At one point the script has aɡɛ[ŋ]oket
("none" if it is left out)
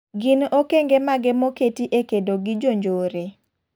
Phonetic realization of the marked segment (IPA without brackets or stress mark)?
m